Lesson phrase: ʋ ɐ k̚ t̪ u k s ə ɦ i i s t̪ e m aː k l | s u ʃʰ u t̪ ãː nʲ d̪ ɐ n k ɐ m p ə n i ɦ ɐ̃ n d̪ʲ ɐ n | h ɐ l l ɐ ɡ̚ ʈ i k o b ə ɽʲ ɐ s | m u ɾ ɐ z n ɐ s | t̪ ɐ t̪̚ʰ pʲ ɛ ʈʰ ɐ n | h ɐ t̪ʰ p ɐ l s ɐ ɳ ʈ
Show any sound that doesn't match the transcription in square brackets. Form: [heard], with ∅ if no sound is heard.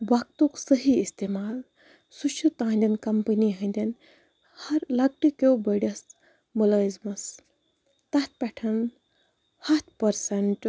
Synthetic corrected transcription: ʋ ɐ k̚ t̪ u k s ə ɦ i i s t̪ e m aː [∅] l | s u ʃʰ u t̪ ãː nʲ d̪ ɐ n k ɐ m p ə n i ɦ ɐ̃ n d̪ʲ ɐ n | h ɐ [ɾ] l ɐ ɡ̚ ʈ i k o b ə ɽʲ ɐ s | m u [l] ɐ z [m] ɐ s | t̪ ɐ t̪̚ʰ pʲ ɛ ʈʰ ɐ n | h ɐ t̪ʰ p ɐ [ɾ] s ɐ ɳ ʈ